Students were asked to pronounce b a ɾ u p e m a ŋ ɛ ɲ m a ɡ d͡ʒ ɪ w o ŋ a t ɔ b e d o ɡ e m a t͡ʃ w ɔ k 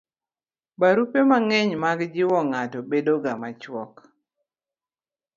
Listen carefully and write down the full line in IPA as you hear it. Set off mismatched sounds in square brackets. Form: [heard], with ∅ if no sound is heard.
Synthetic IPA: b a ɾ u p e m a ŋ ɛ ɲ m a ɡ d͡ʒ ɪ w [ɔ] ŋ a t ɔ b e d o ɡ [a] m a t͡ʃ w ɔ k